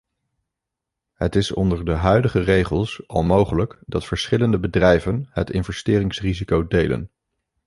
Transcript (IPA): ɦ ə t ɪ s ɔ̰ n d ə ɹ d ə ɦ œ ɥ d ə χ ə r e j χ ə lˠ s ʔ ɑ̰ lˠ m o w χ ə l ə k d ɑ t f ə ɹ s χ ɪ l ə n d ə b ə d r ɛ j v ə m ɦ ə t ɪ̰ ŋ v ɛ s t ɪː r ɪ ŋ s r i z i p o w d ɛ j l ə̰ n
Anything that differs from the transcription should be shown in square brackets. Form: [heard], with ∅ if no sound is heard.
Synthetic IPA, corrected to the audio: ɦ ə t ɪ s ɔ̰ n d ə ɹ d ə ɦ œ ɥ d ə χ ə r e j χ ə lˠ s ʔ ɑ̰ lˠ m o w χ ə l ə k d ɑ t f ə ɹ s χ ɪ l ə n d ə b ə d r ɛ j v ə [n] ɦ ə t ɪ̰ [n] v ɛ s t ɪː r ɪ ŋ s r i z i [k] o w d [e] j l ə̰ n